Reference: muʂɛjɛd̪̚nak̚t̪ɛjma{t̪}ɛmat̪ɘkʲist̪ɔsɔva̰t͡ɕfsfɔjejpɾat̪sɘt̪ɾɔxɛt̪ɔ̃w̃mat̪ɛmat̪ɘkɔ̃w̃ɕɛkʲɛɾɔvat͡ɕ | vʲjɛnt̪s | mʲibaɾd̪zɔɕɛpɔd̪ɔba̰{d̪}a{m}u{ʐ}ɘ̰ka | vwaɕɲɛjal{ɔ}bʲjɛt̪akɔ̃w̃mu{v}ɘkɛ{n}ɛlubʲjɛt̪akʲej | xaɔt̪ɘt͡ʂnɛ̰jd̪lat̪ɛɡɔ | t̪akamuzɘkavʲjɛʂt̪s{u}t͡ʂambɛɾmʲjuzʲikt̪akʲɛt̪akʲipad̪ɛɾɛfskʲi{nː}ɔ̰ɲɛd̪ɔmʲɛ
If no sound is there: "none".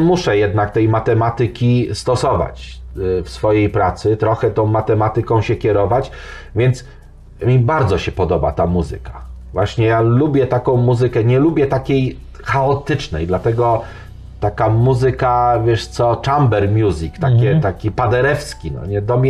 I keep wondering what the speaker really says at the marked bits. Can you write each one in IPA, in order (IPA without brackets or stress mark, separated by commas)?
t̪, t̪, m, z, u, z, ɲ, ɔ, n